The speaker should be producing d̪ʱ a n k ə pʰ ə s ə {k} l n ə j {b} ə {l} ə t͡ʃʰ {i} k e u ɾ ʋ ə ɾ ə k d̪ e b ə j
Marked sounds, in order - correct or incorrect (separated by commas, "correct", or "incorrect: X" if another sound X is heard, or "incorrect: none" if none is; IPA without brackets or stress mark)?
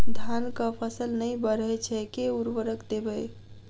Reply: incorrect: none, correct, incorrect: ɾ, incorrect: ɛ